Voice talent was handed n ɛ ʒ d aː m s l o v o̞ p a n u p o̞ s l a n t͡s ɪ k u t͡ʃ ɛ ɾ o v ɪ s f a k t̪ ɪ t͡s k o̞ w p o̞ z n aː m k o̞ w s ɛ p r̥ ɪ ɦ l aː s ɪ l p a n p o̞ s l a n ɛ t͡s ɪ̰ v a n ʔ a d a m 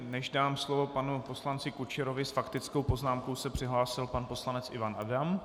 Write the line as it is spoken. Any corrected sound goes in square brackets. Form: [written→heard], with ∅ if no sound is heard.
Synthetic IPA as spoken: n ɛ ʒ d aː m s l o v o̞ p a n u p o̞ s l a n t͡s ɪ k u t͡ʃ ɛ ɾ o v ɪ s f a k t̪ ɪ t͡s k o̞ w p o̞ z n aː m k o̞ w s ɛ p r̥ ɪ ɦ l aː s ɪ l p a n p o̞ s l a n ɛ t͡s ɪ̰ v a n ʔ a d a m